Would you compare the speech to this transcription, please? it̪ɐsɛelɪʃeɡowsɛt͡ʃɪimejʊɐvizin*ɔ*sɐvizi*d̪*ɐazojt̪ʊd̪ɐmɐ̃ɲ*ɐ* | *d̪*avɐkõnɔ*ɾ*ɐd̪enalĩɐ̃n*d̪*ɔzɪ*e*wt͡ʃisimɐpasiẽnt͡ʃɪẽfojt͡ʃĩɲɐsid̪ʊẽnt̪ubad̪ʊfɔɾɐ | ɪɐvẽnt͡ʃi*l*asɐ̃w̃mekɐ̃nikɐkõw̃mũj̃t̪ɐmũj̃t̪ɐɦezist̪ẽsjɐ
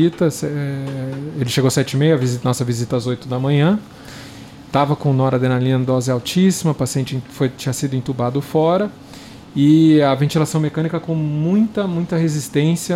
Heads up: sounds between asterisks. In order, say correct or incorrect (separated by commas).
correct, incorrect, incorrect, incorrect, correct, correct, incorrect, correct